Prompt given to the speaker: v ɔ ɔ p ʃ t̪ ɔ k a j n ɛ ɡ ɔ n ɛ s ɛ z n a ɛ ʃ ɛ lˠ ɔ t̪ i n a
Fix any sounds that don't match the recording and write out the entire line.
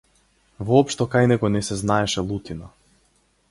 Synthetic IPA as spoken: v ɔ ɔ p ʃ t̪ ɔ k a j n ɛ ɡ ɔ n ɛ s ɛ z n a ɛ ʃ ɛ lˠ u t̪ i n a